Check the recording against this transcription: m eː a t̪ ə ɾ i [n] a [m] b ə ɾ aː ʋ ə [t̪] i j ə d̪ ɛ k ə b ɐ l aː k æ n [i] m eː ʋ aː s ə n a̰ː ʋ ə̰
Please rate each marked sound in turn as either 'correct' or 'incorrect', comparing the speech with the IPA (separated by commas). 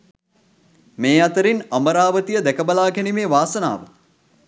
correct, correct, correct, correct